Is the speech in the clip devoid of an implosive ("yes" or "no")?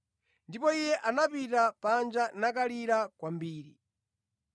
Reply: yes